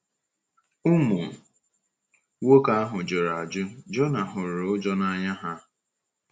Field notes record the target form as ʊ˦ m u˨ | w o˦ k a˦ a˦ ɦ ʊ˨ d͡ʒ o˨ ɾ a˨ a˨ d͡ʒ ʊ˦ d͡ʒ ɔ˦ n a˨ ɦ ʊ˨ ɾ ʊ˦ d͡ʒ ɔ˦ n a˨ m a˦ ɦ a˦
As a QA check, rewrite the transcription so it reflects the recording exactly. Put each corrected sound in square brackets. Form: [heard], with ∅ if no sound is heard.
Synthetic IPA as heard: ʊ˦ m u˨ | w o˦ k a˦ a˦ ɦ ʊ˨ d͡ʒ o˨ ɾ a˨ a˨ d͡ʒ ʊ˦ d͡ʒ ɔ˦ n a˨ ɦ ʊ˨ ɾ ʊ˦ d͡ʒ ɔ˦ n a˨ [ɲ] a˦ ɦ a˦